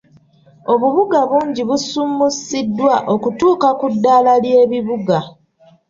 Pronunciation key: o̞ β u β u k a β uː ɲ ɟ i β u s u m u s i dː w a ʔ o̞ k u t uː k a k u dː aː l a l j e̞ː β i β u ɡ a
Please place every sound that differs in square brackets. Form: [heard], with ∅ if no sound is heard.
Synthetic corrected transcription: o̞ β u β u [ɡ] a β uː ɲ ɟ i β u s u m u s i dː w a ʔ o̞ k u t uː k a k u dː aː l a l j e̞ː β i β u ɡ a